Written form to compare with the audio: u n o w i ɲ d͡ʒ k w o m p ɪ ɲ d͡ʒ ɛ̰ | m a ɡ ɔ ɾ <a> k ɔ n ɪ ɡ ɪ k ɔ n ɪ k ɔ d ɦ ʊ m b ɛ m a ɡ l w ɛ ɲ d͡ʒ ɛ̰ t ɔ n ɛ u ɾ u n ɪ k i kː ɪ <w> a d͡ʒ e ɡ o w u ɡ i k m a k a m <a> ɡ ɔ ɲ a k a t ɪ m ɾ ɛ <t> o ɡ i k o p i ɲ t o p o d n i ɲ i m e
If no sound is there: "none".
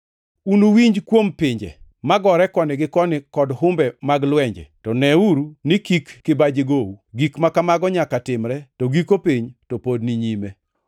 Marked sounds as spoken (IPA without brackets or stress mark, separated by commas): ɛ, b, a, t